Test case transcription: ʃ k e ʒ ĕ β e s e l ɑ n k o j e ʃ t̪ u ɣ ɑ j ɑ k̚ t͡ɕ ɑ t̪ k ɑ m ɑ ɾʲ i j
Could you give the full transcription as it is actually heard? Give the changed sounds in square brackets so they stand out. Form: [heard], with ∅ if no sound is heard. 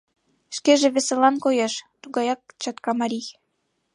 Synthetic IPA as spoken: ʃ k e ʒ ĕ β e s e l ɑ n k o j e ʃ t̪ u ɣ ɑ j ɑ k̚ t͡ɕ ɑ t̪ k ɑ m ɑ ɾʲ i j